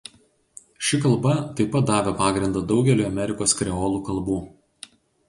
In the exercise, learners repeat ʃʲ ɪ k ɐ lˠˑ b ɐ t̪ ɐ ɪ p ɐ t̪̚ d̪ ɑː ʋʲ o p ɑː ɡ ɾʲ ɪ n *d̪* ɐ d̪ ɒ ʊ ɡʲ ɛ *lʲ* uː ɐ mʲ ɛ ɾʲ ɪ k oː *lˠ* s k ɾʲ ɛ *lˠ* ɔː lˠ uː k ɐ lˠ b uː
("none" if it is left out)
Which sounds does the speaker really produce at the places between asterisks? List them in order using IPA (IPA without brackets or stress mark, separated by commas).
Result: d̪, lʲ, none, none